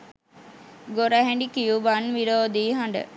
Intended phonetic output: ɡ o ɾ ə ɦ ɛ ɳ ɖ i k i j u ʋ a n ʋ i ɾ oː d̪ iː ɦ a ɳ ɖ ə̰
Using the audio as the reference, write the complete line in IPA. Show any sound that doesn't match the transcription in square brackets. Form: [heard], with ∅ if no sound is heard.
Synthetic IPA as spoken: ɡ o ɾ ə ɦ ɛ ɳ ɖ i k i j u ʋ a n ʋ i ɾ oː d̪ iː ɦ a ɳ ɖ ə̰